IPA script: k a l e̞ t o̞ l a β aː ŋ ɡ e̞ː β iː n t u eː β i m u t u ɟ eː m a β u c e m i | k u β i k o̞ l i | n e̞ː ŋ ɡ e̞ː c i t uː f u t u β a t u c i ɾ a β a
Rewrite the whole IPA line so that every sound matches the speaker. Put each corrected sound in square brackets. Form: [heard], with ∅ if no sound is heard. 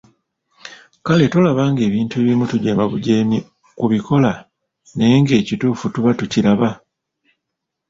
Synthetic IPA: k a l e̞ t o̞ l a β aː ŋ ɡ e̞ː β iː n t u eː β i m u t u ɟ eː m a β u [ɟ] e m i | k u β i k o̞ l [a] | n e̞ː ŋ ɡ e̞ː c i t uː f u t u β a t u c i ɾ a β a